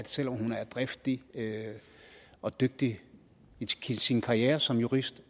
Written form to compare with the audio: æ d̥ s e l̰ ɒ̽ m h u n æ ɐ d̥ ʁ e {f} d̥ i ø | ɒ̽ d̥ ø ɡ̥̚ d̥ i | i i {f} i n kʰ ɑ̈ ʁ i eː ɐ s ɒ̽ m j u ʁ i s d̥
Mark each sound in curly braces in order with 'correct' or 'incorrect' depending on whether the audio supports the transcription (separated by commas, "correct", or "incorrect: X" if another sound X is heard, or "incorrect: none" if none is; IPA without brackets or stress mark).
correct, incorrect: s